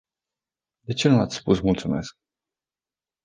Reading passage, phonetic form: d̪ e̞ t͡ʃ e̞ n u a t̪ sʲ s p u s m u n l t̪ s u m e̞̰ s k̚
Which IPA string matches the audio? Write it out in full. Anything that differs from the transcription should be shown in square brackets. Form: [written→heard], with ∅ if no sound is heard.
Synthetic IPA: d̪ e̞ t͡ʃ e̞ n u a t̪ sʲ s p u s m u [n→∅] l t̪ s u m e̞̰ s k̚